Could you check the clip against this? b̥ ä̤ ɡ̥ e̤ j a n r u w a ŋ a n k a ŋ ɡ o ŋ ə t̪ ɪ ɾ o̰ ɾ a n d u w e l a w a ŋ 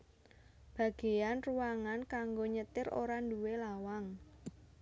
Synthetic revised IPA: b̥ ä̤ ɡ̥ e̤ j a n r u w a ŋ a n k a ŋ ɡ o ɲ ə t̪ ɪ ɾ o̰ ɾ a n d u w e l a w a ŋ